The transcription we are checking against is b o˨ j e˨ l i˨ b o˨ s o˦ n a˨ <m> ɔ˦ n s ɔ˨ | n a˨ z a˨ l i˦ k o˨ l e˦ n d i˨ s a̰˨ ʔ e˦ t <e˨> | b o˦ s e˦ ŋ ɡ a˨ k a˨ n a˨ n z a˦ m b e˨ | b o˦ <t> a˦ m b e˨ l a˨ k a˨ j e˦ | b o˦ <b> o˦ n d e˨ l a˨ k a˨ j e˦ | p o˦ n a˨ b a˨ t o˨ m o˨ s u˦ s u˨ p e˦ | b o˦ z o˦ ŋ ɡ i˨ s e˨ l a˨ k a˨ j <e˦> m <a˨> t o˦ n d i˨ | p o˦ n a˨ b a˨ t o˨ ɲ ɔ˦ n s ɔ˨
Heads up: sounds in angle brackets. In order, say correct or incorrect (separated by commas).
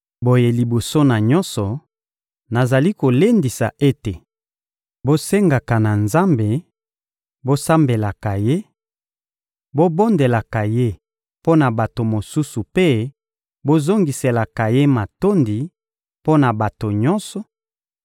incorrect, correct, incorrect, correct, correct, correct